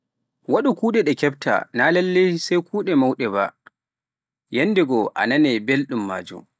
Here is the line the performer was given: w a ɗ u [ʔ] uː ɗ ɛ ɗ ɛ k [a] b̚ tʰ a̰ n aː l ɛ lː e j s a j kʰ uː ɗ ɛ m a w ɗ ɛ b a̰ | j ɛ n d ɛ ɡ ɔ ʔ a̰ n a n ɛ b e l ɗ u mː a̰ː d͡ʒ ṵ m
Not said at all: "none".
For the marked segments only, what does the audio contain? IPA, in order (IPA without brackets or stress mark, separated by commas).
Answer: k, ɛ